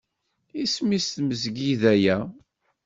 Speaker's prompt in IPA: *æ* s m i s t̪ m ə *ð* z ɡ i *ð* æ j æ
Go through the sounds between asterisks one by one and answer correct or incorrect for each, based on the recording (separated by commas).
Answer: incorrect, incorrect, correct